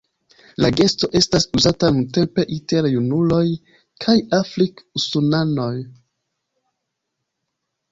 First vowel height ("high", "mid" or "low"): low